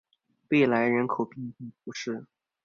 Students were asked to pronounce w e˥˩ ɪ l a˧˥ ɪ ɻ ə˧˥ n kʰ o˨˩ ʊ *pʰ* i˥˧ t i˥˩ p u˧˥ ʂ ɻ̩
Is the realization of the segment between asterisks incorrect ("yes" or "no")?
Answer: yes